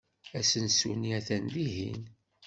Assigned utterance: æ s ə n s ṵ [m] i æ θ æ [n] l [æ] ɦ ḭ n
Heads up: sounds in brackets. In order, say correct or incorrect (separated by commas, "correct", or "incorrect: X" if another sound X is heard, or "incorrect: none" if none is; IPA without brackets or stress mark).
incorrect: n, correct, incorrect: i